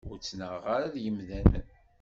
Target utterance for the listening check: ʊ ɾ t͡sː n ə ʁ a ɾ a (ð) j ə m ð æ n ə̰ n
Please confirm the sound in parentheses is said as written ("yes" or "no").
yes